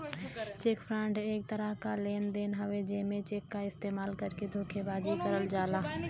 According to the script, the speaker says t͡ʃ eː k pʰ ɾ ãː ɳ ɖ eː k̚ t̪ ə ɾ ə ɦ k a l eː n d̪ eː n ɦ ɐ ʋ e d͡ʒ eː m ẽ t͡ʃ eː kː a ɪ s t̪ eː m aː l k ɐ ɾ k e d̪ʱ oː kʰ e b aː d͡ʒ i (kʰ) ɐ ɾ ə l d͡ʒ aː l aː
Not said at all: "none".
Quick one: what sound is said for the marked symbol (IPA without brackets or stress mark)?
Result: k